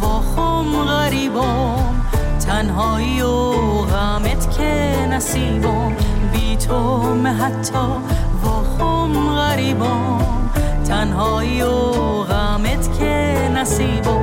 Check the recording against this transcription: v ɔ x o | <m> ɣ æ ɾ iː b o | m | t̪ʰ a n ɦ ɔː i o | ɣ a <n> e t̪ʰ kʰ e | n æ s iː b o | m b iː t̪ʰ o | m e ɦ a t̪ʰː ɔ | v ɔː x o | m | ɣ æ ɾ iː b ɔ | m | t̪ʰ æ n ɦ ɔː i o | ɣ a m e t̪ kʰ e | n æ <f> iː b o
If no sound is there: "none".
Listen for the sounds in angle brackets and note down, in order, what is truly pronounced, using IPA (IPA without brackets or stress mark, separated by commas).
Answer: m, m, s